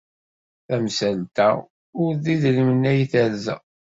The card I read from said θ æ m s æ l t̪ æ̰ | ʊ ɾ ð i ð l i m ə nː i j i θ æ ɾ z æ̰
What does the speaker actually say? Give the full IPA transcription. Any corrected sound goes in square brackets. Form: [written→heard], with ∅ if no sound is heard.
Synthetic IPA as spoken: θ æ m s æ l t̪ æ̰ | ʊ ɾ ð i ð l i m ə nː [i→æ] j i θ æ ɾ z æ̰